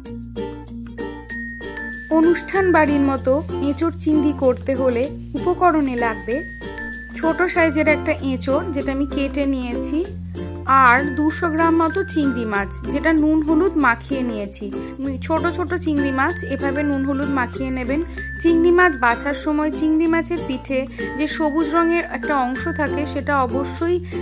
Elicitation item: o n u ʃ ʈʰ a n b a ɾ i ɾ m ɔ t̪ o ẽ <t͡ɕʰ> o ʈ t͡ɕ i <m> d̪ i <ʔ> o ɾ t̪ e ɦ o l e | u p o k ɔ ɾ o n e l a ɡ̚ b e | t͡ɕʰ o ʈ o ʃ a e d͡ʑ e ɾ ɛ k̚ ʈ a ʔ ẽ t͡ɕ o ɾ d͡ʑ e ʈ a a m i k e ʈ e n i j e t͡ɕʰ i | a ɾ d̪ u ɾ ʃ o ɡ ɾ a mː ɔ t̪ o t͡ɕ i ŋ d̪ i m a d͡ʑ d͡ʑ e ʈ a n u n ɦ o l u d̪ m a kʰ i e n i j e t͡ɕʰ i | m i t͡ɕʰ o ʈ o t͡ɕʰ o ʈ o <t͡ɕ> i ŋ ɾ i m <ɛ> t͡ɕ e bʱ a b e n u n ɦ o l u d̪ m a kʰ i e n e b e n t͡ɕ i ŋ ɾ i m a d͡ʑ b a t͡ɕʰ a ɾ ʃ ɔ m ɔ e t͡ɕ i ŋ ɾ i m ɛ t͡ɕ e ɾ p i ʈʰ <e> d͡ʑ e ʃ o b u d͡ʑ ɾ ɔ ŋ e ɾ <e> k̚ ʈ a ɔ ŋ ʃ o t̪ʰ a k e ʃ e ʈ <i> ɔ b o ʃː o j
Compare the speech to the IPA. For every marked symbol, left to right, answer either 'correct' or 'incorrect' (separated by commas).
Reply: incorrect, incorrect, incorrect, correct, incorrect, correct, incorrect, incorrect